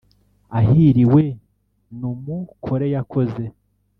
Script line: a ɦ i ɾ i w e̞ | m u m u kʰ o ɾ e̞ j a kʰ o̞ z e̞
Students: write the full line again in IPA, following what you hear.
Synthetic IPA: a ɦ i ɾ i w e̞ | n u m u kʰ o ɾ e̞ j a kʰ o̞ z e̞

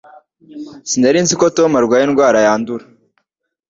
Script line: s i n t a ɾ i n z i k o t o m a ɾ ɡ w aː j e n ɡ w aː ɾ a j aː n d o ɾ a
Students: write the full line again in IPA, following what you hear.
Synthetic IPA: s i n d a ɾ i n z i k o t o m a ɾ ɡ w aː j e n ɡ w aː ɾ a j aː n d u ɾ a

